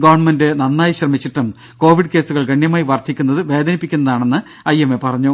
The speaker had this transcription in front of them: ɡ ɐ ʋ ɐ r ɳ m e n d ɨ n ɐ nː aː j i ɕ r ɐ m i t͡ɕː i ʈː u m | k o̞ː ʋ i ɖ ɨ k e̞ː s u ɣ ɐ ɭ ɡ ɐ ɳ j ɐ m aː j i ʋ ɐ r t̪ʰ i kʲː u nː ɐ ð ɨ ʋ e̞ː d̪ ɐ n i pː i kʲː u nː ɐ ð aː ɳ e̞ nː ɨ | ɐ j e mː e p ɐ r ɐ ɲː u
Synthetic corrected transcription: ɡ ɐ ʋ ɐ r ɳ m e n d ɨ n ɐ nː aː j i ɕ r ɐ m i t͡ɕː i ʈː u m | k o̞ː ʋ i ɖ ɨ k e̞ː s u ɣ ɐ ɭ ɡ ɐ ɳ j ɐ m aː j i ʋ ɐ r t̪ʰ i kʲː u nː ɐ ð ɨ ʋ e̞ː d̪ ɐ n i pː i kʲː u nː ɐ ð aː ɳ e̞ nː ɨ | ɐ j e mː e p ɐ r ɐ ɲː u

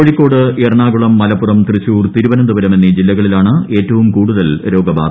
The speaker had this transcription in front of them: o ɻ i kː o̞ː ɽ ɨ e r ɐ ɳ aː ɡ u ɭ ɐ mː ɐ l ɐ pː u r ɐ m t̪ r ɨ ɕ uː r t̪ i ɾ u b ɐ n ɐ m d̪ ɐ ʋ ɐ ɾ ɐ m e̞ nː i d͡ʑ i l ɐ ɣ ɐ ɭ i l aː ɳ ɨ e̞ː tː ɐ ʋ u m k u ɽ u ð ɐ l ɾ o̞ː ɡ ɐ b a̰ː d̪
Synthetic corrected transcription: o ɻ i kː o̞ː ɽ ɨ e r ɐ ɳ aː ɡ u ɭ ɐ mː ɐ l ɐ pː u r ɐ m t̪ r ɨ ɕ uː r t̪ i ɾ u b ɐ n ɐ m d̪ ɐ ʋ ɐ ɾ ɐ m e̞ nː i d͡ʑ i lː ɐ ɣ ɐ ɭ i l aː ɳ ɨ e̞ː tː ɐ ʋ u m k uː ɽ u ð ɐ l ɾ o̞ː ɡ ɐ b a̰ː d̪

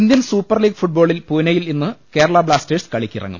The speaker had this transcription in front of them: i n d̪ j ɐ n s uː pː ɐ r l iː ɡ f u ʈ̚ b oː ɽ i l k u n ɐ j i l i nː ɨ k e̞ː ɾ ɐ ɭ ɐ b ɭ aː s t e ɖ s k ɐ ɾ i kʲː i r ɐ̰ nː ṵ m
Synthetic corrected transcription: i n d̪ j ɐ n s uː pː ɐ r l iː ɡ f u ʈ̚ b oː ɭ i l p u n ɐ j i l i nː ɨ k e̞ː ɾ ɐ ɭ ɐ b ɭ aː s t e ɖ s k ɐ ɭ i kʲː i r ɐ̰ ŋː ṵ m

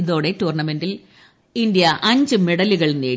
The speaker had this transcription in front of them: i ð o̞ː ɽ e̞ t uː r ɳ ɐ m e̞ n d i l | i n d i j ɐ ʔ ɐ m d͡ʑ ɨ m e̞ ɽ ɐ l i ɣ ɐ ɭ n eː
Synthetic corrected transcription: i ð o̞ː ɽ e̞ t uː r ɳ ɐ m e̞ n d i l | i n d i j ɐ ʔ ɐ ɲ d͡ʑ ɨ m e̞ ɽ ɐ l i ɣ ɐ ɭ n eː

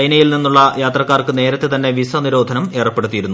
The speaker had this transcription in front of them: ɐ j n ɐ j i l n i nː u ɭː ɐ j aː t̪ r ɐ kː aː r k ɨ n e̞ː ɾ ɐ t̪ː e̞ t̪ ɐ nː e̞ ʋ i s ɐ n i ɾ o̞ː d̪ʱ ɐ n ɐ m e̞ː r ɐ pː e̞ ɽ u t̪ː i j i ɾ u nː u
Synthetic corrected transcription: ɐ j n ɐ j i l n i nː u ɭː ɐ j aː t̪ r ɐ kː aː r k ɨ n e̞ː ɾ ɐ t̪ː e̞ t̪ ɐ nː e̞ ʋ i s ɐ n i ɾ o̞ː d̪ʱ ɐ n ɐ m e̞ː r ɐ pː e̞ ɽ u t̪ː i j i ɾ u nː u

